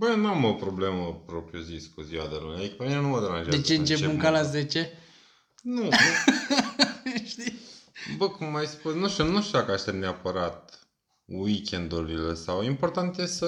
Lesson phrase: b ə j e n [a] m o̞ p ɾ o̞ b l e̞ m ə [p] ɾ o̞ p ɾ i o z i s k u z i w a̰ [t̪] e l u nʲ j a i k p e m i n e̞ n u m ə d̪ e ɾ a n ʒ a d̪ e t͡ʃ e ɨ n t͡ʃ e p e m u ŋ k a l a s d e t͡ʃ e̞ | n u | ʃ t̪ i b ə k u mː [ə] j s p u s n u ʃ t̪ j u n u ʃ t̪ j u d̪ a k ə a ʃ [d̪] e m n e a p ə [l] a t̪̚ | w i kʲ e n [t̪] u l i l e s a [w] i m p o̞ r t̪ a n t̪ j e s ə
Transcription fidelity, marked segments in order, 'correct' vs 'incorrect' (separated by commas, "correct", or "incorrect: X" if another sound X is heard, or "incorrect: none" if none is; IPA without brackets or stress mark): correct, correct, incorrect: d̪, incorrect: a, incorrect: t̪, incorrect: ɾ, incorrect: d̪, correct